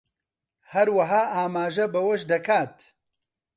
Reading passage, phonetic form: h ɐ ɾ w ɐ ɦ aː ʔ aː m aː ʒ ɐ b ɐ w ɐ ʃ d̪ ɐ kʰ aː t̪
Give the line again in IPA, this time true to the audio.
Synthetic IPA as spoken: h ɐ ɾ w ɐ ɦ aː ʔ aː m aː ʒ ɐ b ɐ w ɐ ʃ d̪ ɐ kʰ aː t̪